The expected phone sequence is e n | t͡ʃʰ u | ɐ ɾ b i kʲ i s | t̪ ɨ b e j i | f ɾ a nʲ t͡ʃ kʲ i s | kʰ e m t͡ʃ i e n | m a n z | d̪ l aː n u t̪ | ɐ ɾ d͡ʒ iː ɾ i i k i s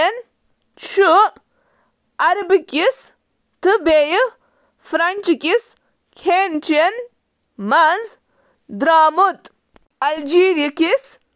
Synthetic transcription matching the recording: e n | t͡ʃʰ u | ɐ ɾ b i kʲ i s | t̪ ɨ b e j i | f ɾ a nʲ t͡ʃ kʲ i s | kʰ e n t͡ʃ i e n | m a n z | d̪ ɾ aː m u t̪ | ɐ l d͡ʒ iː ɾ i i k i s